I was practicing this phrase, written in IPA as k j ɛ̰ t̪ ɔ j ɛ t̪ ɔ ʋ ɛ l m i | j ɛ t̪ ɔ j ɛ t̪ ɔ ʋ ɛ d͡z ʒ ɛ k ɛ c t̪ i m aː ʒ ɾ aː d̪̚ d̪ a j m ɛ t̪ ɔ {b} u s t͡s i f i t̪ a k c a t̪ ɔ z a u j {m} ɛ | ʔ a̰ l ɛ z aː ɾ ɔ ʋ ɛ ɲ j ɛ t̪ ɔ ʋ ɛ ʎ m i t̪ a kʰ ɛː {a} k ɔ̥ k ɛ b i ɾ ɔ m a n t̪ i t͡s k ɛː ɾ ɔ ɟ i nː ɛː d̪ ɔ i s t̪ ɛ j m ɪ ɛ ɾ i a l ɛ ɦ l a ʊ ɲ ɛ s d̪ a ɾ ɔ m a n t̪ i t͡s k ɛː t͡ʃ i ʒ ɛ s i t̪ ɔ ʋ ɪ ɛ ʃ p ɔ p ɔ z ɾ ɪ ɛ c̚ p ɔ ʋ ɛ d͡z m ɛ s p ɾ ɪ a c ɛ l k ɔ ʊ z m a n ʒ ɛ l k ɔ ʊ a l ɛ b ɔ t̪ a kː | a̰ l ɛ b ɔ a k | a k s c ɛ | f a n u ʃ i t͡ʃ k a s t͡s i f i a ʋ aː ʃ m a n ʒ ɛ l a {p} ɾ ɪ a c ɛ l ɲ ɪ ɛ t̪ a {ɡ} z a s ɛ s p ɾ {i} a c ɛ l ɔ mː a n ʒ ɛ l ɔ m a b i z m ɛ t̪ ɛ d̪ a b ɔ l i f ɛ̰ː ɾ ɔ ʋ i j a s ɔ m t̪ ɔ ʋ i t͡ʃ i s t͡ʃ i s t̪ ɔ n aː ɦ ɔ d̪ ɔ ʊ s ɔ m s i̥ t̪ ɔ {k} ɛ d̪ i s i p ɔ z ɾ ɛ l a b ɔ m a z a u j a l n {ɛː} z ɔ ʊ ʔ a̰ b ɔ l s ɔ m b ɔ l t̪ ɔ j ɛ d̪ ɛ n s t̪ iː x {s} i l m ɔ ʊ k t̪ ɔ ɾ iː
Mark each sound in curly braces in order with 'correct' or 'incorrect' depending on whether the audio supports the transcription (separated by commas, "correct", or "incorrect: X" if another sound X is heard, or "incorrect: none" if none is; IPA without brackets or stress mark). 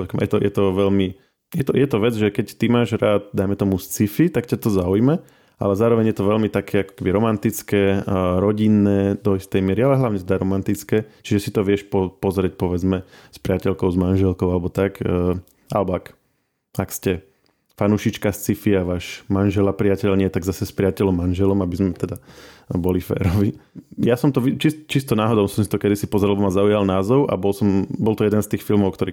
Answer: incorrect: m, correct, correct, correct, correct, incorrect: ɪ, correct, incorrect: aː, incorrect: f